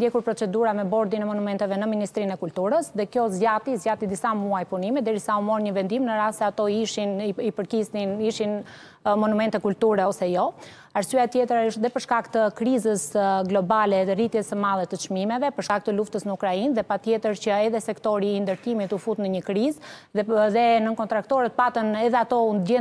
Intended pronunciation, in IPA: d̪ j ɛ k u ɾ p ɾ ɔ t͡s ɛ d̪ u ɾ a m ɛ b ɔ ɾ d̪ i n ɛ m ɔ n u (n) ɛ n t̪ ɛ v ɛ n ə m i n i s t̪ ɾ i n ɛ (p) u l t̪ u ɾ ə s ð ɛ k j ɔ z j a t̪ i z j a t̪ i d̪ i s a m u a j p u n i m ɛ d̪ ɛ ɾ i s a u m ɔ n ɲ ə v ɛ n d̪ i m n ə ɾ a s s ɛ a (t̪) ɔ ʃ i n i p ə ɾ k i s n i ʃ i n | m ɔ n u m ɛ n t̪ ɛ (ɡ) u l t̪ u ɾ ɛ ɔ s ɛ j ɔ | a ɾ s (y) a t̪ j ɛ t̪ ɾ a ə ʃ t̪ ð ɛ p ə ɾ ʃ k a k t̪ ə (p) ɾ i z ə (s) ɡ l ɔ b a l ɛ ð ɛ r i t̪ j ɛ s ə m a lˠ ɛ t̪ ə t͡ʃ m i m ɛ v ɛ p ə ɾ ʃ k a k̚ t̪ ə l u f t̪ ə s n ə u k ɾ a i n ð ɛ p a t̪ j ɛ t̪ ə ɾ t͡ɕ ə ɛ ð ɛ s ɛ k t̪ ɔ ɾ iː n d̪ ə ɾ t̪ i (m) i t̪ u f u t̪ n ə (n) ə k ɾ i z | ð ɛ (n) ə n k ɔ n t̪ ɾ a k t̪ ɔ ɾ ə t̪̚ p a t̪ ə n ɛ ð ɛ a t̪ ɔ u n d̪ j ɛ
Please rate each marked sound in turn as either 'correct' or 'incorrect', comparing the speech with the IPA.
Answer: incorrect, incorrect, correct, incorrect, correct, incorrect, correct, correct, incorrect, correct

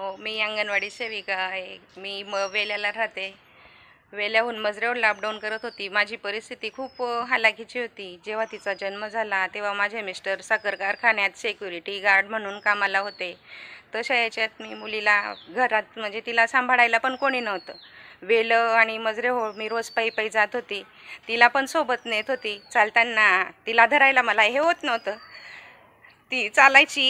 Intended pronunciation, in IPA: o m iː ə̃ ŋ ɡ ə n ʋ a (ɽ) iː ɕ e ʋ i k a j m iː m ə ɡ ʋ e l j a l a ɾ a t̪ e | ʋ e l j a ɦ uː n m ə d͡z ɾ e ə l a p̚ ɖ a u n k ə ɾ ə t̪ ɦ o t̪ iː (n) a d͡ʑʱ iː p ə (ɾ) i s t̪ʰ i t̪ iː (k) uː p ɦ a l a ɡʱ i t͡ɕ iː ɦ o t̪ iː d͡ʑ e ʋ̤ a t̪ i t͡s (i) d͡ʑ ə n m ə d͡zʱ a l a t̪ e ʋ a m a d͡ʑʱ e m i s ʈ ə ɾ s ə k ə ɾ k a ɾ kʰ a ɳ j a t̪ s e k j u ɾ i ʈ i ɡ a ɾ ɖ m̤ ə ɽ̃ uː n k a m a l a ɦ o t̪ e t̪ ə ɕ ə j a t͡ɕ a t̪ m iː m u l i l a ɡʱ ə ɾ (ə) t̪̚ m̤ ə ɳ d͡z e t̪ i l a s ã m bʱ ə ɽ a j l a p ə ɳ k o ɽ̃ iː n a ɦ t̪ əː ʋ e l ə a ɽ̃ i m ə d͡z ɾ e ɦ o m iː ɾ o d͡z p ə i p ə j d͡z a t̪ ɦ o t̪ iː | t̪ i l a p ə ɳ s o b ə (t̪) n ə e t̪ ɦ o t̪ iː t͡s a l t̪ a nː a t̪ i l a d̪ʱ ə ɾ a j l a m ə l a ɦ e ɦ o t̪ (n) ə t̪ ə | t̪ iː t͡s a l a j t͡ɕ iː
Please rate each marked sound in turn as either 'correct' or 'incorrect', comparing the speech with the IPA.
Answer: correct, incorrect, correct, incorrect, incorrect, incorrect, correct, correct

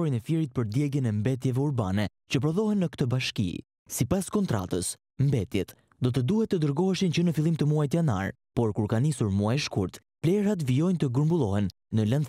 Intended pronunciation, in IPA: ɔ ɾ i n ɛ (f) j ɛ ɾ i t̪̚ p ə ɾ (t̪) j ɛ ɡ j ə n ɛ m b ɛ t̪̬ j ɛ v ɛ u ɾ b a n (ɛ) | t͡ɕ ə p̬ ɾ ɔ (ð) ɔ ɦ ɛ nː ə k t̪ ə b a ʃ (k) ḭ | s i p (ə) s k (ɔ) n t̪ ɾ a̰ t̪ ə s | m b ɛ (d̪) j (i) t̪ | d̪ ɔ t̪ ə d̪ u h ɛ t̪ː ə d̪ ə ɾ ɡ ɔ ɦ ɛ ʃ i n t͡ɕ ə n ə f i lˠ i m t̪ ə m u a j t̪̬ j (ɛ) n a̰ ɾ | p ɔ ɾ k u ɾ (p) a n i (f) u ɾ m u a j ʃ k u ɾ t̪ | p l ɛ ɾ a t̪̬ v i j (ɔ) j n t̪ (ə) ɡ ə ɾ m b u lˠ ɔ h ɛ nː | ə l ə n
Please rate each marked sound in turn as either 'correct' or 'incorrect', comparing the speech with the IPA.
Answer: correct, incorrect, correct, correct, correct, incorrect, correct, incorrect, incorrect, incorrect, incorrect, incorrect, correct, correct

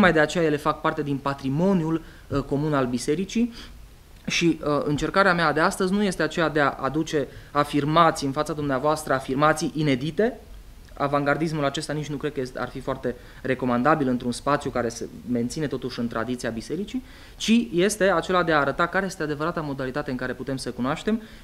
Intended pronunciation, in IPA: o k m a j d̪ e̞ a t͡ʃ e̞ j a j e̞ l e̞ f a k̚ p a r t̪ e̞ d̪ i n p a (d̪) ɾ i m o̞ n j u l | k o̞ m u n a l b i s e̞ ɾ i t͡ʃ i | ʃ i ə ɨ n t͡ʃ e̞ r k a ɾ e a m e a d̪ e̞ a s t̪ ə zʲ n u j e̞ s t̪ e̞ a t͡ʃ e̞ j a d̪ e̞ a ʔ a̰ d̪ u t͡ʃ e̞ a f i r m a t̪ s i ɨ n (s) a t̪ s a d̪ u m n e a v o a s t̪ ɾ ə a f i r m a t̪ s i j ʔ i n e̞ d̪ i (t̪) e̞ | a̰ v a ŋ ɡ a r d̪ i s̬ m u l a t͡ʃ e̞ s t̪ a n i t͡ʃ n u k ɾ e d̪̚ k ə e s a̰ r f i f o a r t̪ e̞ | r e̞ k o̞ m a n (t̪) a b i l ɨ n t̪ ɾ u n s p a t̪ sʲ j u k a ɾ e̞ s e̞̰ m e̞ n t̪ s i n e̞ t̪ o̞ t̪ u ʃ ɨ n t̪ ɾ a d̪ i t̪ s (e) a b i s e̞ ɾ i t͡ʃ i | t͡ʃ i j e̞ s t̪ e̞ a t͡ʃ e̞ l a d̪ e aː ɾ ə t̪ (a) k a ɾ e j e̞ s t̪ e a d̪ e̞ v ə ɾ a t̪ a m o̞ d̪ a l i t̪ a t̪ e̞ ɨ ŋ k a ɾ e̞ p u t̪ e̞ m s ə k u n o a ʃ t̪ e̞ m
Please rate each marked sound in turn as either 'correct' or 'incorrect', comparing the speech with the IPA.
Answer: incorrect, incorrect, correct, incorrect, incorrect, correct

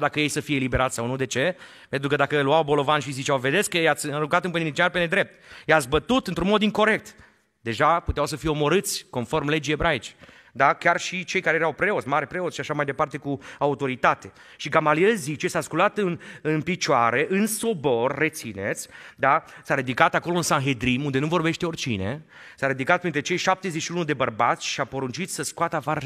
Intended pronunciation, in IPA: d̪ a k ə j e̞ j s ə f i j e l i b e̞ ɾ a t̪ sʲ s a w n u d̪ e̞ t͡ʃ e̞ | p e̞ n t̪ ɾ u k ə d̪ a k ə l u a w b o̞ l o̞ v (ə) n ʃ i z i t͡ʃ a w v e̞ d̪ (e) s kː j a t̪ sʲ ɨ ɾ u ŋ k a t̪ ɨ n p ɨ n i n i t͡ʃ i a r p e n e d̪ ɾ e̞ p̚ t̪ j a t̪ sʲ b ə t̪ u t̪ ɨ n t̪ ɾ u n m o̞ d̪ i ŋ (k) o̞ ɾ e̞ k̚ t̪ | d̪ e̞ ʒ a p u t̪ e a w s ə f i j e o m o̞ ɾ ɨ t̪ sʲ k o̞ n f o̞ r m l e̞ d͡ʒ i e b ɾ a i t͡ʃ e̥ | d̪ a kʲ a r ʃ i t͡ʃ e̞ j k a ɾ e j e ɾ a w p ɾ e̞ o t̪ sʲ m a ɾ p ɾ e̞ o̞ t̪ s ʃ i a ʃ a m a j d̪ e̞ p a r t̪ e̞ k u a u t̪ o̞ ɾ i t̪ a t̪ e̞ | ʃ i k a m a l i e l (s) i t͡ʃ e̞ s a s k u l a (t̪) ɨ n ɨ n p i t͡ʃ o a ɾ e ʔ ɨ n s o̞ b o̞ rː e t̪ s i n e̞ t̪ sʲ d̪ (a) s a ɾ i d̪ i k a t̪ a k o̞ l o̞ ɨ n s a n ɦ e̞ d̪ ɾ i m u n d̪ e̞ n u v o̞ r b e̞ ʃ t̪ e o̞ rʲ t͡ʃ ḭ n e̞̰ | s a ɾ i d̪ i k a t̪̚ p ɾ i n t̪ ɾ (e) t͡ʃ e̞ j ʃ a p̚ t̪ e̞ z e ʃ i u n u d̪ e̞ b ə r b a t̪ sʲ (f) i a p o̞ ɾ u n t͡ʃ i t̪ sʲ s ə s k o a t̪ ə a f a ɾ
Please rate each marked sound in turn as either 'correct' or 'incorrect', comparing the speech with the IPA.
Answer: incorrect, correct, correct, incorrect, correct, correct, correct, incorrect

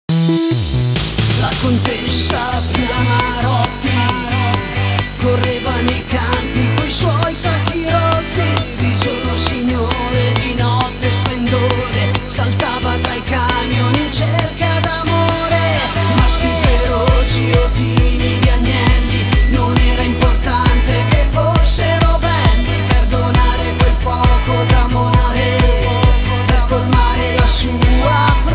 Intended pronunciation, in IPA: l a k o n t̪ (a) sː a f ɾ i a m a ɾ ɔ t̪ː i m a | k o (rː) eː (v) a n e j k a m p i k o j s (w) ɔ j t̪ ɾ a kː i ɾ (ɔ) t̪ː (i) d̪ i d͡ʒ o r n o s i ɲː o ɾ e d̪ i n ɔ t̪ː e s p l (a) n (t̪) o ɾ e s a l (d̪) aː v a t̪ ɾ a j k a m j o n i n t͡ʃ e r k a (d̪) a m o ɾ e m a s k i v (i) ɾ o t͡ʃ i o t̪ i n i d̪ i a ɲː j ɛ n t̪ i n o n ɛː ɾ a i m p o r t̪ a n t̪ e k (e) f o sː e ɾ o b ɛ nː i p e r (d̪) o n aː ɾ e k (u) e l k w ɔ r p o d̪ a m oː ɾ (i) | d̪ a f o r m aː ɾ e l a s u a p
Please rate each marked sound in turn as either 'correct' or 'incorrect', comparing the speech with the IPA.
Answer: incorrect, correct, correct, correct, correct, correct, incorrect, incorrect, incorrect, correct, incorrect, correct, correct, incorrect, incorrect

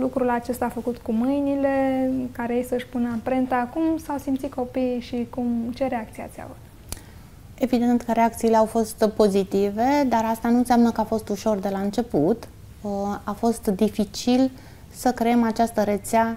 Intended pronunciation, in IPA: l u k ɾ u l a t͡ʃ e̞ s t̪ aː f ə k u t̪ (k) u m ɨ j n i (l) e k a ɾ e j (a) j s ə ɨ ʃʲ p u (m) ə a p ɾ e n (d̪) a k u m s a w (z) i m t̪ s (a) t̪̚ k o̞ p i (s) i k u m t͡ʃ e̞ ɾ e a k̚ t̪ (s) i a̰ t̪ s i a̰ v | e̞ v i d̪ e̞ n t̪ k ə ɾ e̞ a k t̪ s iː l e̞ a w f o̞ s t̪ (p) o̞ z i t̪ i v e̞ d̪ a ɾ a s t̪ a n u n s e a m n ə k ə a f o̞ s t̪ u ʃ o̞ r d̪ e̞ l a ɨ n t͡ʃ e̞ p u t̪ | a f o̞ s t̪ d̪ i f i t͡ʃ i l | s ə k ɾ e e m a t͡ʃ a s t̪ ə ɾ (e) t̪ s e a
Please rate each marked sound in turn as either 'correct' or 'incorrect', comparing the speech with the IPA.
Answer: correct, correct, incorrect, incorrect, incorrect, incorrect, incorrect, incorrect, correct, correct, correct

